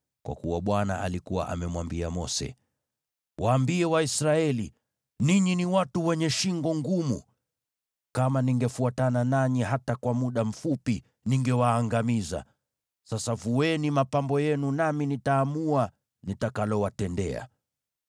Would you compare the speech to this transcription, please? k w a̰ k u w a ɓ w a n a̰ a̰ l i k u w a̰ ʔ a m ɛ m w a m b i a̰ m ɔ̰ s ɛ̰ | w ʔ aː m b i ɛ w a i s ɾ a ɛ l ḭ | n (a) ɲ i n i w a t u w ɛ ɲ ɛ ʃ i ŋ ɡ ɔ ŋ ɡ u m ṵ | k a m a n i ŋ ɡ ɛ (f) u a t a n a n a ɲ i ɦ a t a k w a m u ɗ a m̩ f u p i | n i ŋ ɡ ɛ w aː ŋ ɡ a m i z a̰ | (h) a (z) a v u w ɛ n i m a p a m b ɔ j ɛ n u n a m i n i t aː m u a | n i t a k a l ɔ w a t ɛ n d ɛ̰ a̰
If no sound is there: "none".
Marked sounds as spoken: i, f, s, s

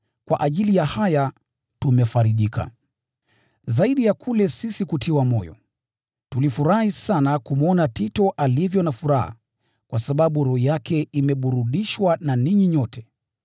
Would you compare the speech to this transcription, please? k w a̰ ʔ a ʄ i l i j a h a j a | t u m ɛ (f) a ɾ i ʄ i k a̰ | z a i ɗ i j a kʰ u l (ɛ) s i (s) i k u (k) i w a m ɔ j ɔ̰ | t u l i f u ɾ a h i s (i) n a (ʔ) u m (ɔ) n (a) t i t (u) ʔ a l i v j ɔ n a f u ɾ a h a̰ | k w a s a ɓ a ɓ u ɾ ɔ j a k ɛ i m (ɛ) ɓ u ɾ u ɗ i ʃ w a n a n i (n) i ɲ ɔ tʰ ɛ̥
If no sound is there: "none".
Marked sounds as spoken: f, ɛ, s, t, a, k, ɔ, a, ɔ, ɛ, ɲ

